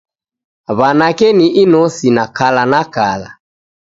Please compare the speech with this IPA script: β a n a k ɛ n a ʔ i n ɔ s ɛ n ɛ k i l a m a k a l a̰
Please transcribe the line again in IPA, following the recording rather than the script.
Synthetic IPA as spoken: β a n a k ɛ n i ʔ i n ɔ s i n a k a l a n a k a l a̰